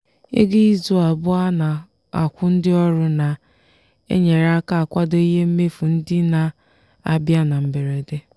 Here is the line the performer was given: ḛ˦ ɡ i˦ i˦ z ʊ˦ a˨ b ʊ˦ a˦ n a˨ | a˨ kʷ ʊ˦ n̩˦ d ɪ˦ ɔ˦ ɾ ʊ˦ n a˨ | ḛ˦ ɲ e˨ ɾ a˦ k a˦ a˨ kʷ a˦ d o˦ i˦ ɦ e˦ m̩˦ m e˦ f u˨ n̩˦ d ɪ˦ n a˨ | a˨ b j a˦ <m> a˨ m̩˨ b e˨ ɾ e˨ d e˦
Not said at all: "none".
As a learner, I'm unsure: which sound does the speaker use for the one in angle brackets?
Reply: n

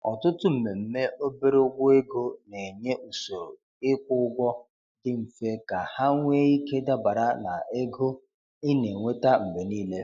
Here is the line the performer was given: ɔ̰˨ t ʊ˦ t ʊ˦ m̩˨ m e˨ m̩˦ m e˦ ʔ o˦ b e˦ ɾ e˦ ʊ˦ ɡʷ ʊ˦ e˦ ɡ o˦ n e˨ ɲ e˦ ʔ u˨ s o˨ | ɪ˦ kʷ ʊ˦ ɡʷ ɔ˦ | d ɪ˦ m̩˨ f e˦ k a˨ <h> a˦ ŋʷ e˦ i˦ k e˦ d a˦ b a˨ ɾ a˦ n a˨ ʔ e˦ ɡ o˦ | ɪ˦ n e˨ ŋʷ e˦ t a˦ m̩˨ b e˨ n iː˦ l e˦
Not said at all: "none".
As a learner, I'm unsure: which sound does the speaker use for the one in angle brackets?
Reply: h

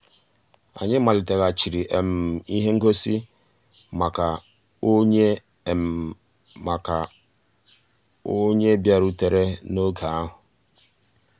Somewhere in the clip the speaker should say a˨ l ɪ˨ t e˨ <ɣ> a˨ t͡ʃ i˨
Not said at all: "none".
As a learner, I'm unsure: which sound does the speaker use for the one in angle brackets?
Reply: ɣ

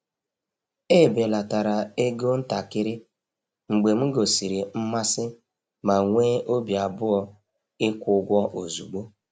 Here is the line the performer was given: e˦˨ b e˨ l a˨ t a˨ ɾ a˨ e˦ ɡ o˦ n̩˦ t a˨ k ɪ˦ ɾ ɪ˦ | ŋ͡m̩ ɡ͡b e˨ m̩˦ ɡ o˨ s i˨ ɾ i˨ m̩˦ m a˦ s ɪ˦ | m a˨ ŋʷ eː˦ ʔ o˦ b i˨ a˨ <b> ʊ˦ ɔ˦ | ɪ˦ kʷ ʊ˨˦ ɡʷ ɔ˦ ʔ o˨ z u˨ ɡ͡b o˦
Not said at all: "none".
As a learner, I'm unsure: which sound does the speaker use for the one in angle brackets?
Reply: b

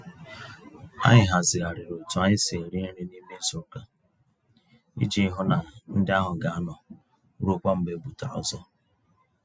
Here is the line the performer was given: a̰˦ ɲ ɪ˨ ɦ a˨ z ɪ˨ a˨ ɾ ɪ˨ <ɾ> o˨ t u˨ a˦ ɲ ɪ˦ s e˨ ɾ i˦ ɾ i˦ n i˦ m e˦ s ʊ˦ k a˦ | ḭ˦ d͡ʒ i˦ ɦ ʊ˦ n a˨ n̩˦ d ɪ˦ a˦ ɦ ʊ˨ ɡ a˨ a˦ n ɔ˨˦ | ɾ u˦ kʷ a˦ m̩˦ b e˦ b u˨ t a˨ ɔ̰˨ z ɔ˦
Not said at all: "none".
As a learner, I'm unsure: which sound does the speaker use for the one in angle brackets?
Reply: ɾ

